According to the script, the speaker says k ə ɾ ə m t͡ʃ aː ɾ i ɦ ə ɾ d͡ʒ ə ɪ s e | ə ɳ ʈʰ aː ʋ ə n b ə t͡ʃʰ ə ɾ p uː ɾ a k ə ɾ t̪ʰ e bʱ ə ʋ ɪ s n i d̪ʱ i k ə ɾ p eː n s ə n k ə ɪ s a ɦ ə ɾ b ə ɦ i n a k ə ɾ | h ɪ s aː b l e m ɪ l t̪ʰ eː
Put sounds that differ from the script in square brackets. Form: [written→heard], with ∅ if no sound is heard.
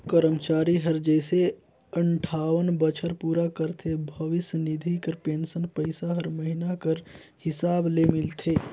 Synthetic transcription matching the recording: k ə ɾ ə m t͡ʃ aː ɾ i ɦ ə ɾ d͡ʒ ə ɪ s e | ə ɳ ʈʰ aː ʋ ə n b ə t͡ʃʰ ə ɾ p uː ɾ a k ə ɾ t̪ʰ e bʱ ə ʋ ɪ s n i d̪ʱ i k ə ɾ p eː n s ə n [k→p] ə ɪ s a ɦ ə ɾ [b→m] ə ɦ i n a k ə ɾ | h ɪ s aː b l e m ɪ l t̪ʰ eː

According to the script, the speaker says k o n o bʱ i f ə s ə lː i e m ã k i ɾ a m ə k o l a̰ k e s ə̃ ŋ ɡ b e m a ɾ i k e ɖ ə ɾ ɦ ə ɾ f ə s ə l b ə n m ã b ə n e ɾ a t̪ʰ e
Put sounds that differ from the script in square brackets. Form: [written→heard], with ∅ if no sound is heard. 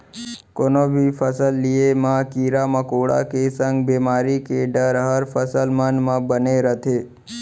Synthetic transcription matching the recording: k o n o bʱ i f ə s ə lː i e m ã k i ɾ a m ə k o [l→ɽ] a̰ k e s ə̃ ŋ ɡ b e m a ɾ i k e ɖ ə ɾ ɦ ə ɾ f ə s ə l [b→m] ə n m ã b ə n e ɾ [a→ə] t̪ʰ e

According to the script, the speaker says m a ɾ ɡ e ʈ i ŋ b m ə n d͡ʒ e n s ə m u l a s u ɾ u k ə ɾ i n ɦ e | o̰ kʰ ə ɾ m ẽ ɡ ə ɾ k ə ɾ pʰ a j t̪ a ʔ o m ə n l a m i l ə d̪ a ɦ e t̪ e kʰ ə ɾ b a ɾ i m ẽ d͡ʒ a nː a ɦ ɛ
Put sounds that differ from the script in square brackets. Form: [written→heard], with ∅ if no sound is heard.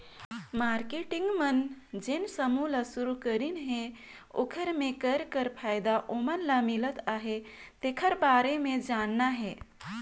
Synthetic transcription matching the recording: m a ɾ [ɡ→k] e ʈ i ŋ [b→ɡ] m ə n d͡ʒ e n s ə m u l a s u ɾ u k ə ɾ i n ɦ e | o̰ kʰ ə ɾ m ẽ [ɡ→k] ə ɾ k ə ɾ pʰ a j [t̪→d̪] a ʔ o m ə n l a m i l ə [d̪→t̪] a ɦ e t̪ e kʰ ə ɾ b a ɾ [i→e] m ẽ d͡ʒ a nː a ɦ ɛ

